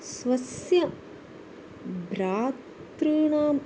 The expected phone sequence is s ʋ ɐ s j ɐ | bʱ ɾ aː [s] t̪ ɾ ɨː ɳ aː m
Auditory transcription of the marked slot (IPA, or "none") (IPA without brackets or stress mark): none